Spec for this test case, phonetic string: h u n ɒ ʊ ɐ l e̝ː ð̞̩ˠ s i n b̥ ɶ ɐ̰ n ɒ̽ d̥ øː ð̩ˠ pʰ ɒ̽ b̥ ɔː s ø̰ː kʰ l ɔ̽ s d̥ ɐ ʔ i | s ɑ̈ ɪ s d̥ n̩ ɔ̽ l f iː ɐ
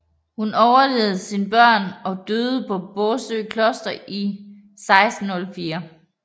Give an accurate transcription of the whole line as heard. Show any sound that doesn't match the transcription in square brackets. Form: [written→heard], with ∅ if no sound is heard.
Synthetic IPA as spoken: h u n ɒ ʊ ɐ l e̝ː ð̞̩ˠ s i n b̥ ɶ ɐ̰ n ɒ̽ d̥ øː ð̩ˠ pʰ ɒ̽ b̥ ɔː s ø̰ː kʰ l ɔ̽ s d̥ ɐ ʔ i | s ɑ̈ ɪ s d̥ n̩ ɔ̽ l f iː ɐ